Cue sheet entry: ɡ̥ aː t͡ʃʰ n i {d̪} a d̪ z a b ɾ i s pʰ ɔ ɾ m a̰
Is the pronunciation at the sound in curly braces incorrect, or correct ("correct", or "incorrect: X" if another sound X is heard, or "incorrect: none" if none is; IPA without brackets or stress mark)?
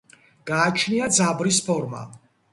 incorrect: none